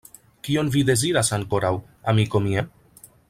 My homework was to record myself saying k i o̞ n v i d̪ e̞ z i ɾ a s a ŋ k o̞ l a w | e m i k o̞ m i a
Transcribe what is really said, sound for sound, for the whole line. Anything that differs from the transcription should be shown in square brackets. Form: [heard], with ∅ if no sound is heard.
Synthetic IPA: k i o̞ n v i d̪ e̞ z i ɾ a s a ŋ k o̞ [ɾ] a w | [a] m i k o̞ m i a